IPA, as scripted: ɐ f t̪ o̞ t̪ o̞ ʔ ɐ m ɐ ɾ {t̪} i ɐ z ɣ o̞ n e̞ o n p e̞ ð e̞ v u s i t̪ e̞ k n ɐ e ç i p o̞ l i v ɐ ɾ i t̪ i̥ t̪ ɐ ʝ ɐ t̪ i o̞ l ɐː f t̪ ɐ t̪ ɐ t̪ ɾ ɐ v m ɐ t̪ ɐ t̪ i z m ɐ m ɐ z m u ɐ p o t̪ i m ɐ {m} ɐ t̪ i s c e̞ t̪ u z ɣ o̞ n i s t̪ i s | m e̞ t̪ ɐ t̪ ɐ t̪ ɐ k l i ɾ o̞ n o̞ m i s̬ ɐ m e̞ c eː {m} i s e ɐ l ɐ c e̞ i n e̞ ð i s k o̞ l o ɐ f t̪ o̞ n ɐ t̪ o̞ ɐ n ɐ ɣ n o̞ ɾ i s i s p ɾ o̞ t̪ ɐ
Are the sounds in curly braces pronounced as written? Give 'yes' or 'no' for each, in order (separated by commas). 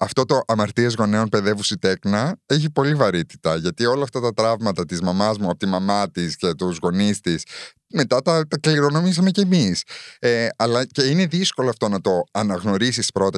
yes, yes, yes